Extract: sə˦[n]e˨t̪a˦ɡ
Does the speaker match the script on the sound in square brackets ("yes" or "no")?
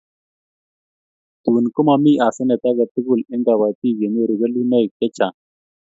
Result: yes